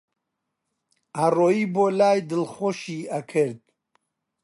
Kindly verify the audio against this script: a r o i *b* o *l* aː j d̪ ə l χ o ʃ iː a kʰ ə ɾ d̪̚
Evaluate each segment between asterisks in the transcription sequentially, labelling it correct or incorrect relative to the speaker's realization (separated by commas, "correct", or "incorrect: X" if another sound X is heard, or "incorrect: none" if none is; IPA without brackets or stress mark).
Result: correct, correct